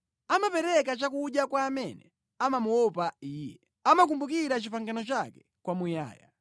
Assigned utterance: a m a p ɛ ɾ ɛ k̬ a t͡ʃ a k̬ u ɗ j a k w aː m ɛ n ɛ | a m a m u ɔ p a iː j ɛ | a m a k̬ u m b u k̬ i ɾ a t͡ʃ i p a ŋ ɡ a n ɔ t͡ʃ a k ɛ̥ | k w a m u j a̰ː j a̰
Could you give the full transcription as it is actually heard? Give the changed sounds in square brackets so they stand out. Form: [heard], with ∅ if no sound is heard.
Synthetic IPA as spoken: a m a p ɛ ɾ ɛ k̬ a t͡ʃ a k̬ u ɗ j a k w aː m ɛ n ɛ | a m a m u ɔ p a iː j ɛ | a m a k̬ u m b u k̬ i ɾ a t͡ʃ i p a ŋ ɡ a n ɔ t͡ʃ a k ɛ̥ | k w a m u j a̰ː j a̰